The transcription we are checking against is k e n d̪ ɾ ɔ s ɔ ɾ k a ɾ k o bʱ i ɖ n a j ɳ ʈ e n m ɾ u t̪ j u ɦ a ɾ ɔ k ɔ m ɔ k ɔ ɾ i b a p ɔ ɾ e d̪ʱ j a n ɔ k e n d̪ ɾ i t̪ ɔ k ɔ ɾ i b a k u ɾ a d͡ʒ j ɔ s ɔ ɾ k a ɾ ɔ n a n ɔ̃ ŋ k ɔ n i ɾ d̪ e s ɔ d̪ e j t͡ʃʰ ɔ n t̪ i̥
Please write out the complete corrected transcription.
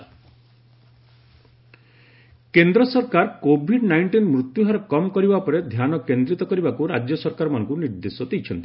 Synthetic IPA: k e n d̪ ɾ ɔ s ɔ ɾ k a ɾ k o bʱ i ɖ n a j ɳ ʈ i n m ɾ u t̪ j u ɦ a ɾ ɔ k ɔ m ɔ k ɔ ɾ i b a p ɔ ɾ e d̪ʱ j a n ɔ k e n d̪ ɾ i t̪ ɔ k ɔ ɾ i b a k u ɾ a d͡ʒ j ɔ s ɔ ɾ k a ɾ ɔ m a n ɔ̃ ŋ k u n i ɾ d̪ e s ɔ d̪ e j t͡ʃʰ ɔ n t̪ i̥